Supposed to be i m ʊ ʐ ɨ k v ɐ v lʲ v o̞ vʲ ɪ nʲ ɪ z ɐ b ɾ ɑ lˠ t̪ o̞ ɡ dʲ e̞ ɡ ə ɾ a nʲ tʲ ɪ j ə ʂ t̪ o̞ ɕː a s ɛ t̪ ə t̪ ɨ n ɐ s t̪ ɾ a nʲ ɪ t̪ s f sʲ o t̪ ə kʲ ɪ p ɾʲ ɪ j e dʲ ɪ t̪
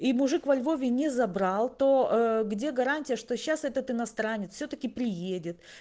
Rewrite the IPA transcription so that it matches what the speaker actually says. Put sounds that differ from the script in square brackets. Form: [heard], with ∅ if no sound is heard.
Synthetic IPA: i m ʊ ʐ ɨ k v ɐ [∅] lʲ v o̞ vʲ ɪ nʲ ɪ z ɐ b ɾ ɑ lˠ t̪ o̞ ɡ dʲ e̞ ɡ [ɐ] ɾ a nʲ tʲ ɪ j ə ʂ t̪ o̞ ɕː a s ɛ t̪ ə t̪ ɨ n ɐ s t̪ ɾ a nʲ ɪ t̪ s f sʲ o t̪ ə kʲ ɪ p ɾʲ ɪ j e dʲ ɪ t̪